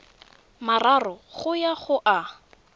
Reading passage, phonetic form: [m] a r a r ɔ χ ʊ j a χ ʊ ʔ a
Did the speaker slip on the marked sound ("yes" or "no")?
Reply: no